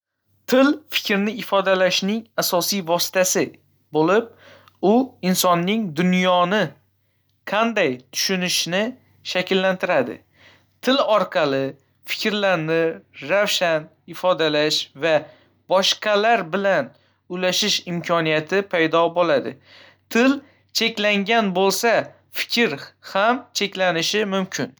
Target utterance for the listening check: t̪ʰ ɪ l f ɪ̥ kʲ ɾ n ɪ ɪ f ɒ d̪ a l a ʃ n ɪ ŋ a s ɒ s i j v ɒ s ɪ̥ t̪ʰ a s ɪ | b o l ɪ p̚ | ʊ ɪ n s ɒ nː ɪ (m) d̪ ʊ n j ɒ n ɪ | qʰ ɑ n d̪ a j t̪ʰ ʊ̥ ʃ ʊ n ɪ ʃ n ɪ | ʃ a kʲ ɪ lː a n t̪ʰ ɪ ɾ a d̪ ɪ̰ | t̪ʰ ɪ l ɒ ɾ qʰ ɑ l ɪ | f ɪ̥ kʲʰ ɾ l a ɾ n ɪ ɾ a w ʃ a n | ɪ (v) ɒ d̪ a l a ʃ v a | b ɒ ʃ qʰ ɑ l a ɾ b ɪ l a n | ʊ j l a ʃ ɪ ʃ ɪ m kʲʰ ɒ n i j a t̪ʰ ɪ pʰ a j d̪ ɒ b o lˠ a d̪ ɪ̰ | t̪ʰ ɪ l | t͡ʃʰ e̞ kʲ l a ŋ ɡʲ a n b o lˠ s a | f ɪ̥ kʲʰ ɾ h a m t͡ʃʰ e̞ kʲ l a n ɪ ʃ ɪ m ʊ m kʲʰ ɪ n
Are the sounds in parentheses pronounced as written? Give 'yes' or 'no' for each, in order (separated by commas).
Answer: no, no